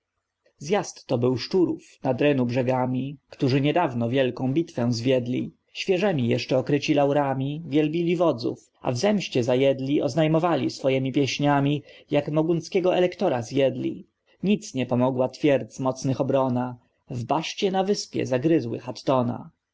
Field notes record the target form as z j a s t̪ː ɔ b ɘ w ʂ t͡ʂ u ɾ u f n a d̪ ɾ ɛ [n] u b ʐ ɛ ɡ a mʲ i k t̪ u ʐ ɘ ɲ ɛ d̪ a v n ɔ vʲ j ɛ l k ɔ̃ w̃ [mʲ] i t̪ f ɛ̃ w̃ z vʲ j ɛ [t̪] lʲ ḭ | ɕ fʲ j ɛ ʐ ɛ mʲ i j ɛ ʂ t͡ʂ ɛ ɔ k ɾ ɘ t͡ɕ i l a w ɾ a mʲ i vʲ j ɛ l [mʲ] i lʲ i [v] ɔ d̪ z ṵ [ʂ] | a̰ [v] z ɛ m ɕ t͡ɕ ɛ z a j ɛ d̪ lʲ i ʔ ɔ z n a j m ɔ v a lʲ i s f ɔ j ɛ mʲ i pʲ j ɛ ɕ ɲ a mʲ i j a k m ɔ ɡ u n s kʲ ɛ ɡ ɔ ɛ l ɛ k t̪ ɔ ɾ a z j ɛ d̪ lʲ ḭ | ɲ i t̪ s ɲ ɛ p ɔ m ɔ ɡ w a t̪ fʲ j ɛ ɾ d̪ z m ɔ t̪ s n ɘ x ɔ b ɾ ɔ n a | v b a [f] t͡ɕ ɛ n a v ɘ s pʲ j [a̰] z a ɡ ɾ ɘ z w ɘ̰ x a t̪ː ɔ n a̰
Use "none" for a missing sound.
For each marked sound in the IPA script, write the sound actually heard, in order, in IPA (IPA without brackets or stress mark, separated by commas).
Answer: n, bʲ, d̪, bʲ, v, f, v, ʂ, ɛ̰